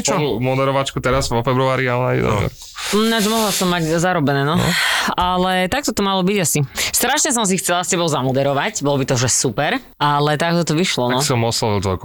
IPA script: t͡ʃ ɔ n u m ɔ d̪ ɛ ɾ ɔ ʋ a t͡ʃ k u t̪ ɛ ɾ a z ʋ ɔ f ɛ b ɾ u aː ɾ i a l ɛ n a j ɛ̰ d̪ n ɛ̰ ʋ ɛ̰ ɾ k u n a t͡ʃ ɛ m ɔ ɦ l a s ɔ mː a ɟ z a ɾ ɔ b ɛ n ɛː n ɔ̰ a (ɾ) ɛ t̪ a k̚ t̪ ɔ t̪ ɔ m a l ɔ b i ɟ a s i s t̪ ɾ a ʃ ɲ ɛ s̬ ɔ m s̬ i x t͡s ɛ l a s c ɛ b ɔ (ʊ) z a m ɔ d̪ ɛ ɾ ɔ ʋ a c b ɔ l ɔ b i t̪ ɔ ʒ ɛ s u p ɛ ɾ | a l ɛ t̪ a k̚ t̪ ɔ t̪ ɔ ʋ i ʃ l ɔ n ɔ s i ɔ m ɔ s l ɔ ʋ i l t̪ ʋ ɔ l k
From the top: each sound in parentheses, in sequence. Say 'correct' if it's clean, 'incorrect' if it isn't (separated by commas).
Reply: incorrect, correct